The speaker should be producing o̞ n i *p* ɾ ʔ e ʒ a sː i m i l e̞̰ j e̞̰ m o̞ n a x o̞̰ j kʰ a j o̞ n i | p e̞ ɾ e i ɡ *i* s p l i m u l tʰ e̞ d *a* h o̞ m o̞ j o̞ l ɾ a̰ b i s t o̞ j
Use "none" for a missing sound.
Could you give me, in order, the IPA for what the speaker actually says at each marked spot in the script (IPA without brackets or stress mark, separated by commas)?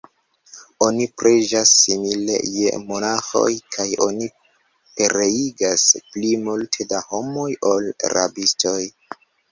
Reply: p, a, a